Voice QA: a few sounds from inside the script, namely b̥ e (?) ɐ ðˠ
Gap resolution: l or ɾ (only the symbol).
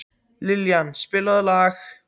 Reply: l